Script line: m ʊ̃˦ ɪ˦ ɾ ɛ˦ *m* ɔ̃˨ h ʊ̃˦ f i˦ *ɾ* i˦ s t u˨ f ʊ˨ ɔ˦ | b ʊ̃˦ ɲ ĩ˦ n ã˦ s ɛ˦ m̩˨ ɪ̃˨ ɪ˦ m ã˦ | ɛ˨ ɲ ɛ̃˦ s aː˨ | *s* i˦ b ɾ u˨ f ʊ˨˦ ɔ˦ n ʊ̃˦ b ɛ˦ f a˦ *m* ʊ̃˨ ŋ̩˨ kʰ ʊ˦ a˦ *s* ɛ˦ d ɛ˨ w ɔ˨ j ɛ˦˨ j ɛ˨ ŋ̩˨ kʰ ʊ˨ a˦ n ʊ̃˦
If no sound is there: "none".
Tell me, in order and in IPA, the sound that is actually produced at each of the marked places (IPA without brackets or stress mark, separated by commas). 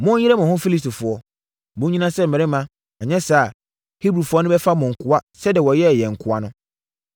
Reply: m, l, h, m, s